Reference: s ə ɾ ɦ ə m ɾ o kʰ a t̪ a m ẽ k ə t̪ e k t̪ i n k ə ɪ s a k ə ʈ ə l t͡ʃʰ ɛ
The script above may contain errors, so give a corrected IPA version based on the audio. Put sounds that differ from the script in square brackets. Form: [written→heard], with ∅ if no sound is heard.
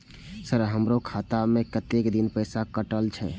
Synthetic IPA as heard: s ə ɾ ɦ ə m ɾ o kʰ a t̪ a m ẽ k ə t̪ e k [t̪→d̪] i n [k→p] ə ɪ s a k ə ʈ ə l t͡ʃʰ ɛ